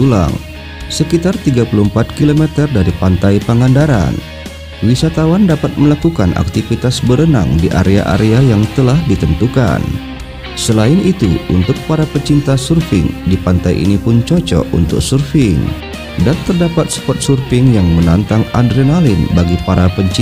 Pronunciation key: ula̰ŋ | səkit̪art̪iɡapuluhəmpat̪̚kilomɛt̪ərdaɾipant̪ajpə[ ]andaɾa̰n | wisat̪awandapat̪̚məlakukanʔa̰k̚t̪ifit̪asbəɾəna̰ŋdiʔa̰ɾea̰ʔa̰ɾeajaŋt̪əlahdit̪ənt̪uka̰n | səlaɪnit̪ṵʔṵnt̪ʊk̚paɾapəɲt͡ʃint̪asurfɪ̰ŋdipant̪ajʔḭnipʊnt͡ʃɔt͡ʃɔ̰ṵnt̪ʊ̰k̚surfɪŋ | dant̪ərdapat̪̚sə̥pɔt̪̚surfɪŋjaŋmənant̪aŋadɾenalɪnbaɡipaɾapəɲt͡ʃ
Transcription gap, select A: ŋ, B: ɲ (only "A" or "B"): A